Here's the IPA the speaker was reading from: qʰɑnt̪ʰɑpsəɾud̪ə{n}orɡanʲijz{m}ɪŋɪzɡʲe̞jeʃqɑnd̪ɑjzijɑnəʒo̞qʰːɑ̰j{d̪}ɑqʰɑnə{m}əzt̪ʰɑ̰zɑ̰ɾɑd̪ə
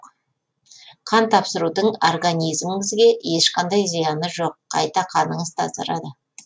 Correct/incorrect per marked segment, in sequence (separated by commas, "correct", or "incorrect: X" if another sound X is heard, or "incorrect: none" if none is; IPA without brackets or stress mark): incorrect: ɴ, correct, incorrect: t̪, incorrect: ɴ